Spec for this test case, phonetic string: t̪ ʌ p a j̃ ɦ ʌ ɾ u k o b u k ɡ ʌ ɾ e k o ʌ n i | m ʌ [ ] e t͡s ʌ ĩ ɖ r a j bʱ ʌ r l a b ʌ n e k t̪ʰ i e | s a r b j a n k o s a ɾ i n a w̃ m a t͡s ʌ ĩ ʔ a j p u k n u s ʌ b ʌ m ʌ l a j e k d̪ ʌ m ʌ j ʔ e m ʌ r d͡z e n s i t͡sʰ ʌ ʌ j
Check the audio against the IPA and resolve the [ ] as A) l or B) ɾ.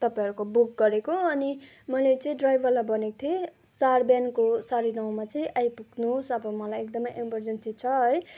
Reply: A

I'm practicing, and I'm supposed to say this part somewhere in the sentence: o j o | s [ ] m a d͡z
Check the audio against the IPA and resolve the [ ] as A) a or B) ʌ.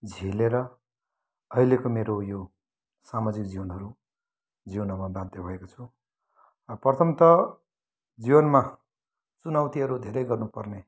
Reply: A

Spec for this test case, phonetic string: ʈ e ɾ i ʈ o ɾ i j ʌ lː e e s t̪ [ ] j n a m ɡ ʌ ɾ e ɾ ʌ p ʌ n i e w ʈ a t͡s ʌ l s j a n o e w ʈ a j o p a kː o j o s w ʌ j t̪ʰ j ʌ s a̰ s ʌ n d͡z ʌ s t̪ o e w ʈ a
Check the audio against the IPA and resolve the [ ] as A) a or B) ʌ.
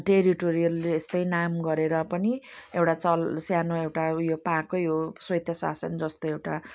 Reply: B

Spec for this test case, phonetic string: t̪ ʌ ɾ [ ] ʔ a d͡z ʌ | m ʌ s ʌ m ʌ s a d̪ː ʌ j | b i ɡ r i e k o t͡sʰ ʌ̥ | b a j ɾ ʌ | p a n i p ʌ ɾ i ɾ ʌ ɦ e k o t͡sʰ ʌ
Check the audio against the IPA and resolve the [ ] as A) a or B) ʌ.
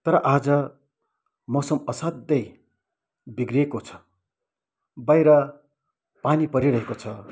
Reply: B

